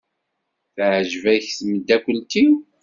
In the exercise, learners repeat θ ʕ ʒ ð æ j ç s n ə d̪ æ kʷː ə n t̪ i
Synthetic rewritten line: θ ʕ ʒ v æ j ç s m ə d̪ æ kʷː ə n t̪ i